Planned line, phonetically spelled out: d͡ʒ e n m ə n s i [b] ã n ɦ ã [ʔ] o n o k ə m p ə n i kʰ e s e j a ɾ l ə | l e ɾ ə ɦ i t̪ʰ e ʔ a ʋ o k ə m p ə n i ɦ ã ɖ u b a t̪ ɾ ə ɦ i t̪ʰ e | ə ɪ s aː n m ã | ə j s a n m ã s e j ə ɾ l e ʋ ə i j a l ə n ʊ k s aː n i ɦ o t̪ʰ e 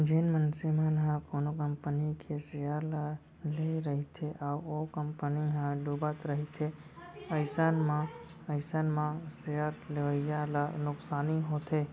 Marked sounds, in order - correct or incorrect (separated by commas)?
incorrect, incorrect